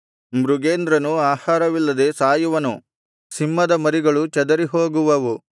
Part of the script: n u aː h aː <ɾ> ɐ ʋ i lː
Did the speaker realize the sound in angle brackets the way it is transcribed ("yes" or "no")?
yes